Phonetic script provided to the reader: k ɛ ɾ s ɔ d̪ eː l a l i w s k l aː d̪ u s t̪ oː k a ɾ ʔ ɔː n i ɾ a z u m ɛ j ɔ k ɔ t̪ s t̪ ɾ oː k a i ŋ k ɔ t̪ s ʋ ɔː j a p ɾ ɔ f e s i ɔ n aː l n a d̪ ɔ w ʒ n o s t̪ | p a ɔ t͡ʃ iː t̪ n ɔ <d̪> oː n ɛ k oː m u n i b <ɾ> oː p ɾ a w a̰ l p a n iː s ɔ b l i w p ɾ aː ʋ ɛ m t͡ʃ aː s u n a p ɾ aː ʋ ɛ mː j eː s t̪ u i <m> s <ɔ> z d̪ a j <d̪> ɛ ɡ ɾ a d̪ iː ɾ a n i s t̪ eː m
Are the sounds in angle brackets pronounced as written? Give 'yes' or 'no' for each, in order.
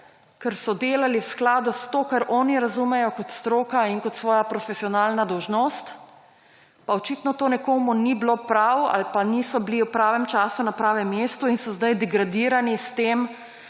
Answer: no, no, no, yes, yes

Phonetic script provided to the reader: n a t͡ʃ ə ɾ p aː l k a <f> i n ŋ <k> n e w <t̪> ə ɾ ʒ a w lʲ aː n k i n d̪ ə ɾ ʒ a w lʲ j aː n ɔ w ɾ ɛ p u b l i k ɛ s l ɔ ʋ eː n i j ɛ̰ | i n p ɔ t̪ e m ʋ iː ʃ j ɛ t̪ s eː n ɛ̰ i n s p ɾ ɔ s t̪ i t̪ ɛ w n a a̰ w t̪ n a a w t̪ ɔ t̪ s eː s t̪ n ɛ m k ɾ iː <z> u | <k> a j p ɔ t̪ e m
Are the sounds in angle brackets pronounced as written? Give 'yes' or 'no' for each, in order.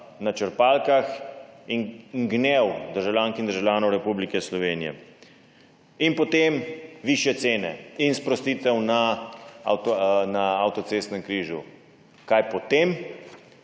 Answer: no, no, no, no, yes

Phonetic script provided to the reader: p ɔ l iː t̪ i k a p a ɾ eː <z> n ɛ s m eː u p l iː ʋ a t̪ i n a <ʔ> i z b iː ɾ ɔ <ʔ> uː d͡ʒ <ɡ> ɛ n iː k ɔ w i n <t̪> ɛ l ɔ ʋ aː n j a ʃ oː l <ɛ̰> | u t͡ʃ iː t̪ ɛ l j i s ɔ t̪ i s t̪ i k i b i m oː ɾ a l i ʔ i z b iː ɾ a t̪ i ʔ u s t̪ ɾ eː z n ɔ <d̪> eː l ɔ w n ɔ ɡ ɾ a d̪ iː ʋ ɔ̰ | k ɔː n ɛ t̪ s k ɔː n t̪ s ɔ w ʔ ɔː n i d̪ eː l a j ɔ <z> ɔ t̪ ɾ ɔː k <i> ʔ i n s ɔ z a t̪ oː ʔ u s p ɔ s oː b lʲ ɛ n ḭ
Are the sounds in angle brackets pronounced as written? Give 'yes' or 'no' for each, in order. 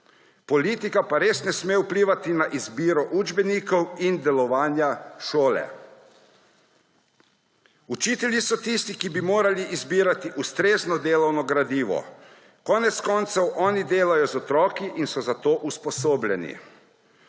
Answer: no, yes, yes, no, no, yes, yes, yes, yes

